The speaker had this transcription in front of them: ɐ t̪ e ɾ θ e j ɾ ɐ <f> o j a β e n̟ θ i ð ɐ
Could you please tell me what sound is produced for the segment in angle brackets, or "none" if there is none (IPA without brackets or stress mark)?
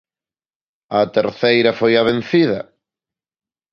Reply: f